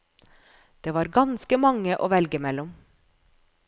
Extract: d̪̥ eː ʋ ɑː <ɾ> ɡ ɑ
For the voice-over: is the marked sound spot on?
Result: yes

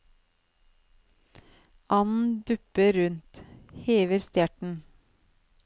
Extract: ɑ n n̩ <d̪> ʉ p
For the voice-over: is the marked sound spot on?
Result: yes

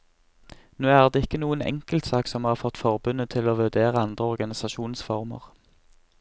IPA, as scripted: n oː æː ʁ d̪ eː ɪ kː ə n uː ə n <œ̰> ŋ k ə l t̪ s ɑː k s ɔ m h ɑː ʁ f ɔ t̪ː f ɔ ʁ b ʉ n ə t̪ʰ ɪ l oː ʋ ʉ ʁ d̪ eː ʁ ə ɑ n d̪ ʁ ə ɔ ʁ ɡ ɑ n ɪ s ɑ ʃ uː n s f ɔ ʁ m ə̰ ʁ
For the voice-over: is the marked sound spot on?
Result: no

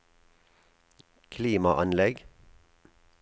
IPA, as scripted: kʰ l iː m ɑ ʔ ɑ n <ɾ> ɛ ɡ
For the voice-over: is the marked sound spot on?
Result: no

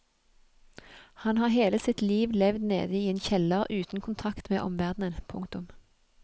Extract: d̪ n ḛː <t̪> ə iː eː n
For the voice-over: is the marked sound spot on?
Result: no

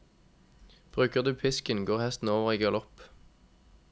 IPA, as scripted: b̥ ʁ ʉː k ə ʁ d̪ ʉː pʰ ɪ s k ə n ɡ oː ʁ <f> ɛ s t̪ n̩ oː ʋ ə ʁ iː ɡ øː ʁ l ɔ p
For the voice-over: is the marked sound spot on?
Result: no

